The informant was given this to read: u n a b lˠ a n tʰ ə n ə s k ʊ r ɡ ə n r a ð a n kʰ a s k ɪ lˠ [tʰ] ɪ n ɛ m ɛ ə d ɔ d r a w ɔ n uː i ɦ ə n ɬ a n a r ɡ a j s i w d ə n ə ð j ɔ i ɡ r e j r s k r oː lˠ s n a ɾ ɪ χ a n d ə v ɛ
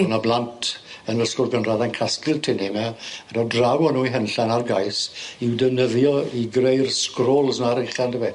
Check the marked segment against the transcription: correct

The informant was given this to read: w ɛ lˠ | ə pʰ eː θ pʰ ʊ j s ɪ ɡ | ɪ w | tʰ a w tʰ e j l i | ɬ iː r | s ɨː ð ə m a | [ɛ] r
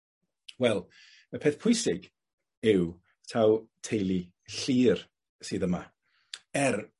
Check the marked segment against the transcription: correct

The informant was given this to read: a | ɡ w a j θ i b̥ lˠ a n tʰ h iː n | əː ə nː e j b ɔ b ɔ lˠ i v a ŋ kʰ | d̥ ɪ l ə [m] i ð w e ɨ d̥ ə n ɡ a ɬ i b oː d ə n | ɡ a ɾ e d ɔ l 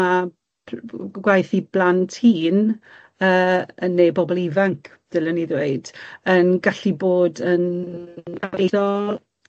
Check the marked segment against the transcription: incorrect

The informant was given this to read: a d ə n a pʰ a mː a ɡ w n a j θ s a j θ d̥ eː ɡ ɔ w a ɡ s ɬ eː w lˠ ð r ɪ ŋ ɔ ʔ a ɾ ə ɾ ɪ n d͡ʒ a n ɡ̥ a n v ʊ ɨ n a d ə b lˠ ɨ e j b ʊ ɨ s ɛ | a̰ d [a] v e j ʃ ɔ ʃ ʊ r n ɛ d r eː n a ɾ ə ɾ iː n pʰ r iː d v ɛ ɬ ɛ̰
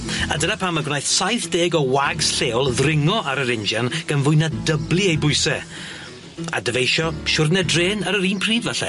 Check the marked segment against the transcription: incorrect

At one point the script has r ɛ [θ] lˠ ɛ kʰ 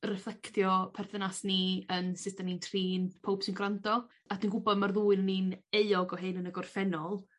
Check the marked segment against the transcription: incorrect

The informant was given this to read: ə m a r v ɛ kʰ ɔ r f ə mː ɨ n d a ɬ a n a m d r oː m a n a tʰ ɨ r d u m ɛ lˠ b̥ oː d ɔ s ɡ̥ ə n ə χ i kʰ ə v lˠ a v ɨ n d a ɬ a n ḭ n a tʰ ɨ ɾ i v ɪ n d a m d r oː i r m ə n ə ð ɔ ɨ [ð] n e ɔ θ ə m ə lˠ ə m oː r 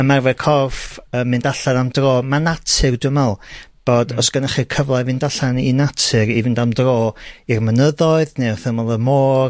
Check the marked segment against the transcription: correct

